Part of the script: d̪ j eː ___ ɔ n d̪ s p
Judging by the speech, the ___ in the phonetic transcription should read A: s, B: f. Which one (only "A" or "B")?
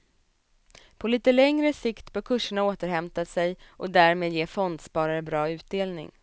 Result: B